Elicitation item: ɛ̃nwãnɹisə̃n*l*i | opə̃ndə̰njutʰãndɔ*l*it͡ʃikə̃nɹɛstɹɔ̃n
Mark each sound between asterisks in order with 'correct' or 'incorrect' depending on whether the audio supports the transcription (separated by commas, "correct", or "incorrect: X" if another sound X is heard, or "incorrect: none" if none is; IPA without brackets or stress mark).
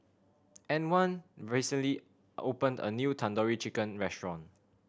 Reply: correct, incorrect: ɹ